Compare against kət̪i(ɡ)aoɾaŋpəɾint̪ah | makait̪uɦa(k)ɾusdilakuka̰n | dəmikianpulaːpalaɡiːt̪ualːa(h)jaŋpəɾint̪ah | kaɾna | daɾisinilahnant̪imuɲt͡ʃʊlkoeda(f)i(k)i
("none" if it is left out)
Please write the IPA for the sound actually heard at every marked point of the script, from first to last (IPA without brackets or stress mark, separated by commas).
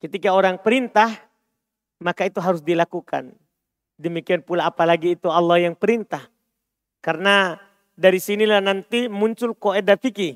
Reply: k, none, h, f, k